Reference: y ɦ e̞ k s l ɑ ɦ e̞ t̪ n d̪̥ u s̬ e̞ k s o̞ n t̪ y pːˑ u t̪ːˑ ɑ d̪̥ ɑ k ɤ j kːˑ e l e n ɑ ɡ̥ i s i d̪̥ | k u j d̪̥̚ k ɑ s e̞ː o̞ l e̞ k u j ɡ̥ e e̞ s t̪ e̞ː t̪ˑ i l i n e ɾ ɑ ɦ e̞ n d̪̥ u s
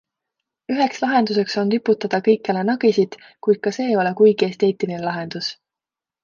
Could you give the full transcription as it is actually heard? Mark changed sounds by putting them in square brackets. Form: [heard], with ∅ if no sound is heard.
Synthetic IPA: y ɦ e̞ k s l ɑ ɦ e̞ [∅] n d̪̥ u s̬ e̞ k s o̞ n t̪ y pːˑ u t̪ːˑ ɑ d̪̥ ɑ k ɤ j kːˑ e l e n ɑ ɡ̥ i s i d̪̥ | k u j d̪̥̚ k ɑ s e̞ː o̞ l e̞ k u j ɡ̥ [i] e̞ s t̪ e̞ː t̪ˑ i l i n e [l] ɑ ɦ e̞ n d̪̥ u s

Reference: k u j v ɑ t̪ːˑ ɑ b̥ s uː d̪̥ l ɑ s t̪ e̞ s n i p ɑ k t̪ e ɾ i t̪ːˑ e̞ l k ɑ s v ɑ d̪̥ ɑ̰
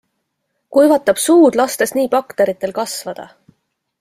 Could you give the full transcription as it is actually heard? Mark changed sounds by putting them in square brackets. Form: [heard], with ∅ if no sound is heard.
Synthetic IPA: k u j v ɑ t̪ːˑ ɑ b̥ s uː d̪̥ l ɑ s t̪ e̞ s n [iː] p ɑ k t̪ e ɾ i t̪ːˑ e̞ l k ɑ s v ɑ d̪̥ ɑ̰

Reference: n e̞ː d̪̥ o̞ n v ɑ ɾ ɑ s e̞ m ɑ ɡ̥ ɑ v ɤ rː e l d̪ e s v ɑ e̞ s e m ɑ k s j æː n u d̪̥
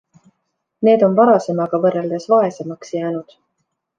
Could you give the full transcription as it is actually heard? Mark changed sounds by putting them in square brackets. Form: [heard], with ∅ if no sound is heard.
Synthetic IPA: n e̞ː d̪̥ o̞ n v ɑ ɾ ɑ s e̞ m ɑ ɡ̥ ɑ v ɤ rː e l d̪ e s v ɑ e̞ s e m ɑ k s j æː n u d̪̥

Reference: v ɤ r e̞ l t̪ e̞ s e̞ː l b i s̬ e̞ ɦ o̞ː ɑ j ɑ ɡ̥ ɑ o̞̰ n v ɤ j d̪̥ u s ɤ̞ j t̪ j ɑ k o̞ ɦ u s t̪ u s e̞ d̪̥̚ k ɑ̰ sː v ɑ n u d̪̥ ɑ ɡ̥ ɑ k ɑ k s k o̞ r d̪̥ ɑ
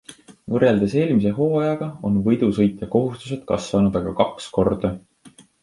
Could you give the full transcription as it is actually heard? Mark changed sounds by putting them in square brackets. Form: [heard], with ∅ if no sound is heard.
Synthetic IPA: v ɤ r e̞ l [d̪] e̞ s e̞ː l [m] i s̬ e̞ ɦ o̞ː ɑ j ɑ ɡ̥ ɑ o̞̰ n v ɤ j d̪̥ u s ɤ̞ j t̪ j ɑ k o̞ ɦ u s t̪ u s e̞ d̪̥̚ k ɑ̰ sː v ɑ n u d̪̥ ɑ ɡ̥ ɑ k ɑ k s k o̞ r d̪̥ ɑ

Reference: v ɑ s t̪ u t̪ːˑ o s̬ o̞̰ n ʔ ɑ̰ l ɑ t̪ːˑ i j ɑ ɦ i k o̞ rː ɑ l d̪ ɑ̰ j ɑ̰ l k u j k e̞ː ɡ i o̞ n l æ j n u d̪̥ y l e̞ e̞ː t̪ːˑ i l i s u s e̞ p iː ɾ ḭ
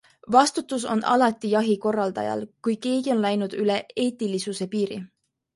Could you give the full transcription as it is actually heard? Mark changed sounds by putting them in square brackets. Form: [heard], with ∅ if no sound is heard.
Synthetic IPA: v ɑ s t̪ u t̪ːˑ [u] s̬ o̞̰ n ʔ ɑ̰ l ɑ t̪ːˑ i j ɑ ɦ i k o̞ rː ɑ l d̪ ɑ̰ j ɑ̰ l k u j k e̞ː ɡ i o̞ n l æ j n u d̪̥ y l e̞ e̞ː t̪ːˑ i l i s u s e̞ p iː ɾ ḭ

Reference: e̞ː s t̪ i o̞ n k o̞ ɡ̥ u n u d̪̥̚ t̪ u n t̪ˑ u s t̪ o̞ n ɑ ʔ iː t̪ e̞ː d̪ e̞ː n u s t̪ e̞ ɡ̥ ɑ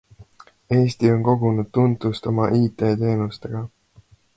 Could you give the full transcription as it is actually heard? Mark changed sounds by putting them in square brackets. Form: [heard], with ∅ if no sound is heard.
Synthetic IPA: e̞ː s t̪ i o̞ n k o̞ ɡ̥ u n u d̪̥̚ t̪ u n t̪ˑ u s t̪ o̞ [m] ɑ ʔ iː t̪ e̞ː [t̪] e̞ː n u s t̪ e̞ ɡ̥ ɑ

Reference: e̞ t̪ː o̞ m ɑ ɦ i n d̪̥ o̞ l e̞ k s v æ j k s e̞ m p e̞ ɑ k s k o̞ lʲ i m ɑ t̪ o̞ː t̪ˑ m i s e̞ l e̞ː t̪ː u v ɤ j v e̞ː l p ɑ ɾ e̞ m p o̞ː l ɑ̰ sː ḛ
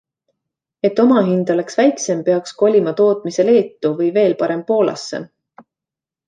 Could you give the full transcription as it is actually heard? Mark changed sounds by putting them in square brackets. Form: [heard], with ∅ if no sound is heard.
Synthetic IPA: e̞ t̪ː o̞ m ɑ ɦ i n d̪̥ o̞ l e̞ k s v æ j k s e̞ m p e̞ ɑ k s k o̞ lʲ i m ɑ t̪ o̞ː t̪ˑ m i s e̞ l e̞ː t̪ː u v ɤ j v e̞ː l p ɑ ɾ e̞ m p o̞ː l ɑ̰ sː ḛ

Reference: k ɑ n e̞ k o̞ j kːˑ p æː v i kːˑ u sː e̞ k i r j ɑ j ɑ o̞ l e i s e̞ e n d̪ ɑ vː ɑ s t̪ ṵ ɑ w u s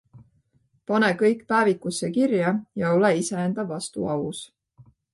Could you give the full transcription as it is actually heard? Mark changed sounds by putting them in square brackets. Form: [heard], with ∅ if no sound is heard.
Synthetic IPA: [p] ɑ n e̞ k [ɤ̞] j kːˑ p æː v i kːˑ u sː e̞ k i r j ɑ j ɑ o̞ l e i s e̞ e n d̪ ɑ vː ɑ s t̪ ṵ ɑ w u s

